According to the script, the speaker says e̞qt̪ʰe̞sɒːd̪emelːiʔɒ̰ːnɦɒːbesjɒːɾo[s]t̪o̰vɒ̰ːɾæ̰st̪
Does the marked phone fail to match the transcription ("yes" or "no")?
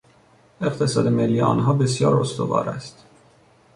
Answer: no